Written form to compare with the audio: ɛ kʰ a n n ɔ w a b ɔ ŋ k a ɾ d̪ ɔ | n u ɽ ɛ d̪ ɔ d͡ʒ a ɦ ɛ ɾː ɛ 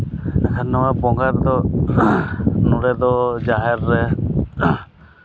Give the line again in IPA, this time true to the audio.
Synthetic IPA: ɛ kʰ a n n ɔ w a b ɔ ŋ ɡ a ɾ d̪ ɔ | n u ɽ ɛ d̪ ɔ d͡ʒ a ɦ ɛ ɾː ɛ